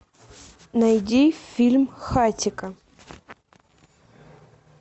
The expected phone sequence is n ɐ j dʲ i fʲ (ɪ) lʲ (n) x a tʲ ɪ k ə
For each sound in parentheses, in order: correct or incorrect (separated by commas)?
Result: incorrect, incorrect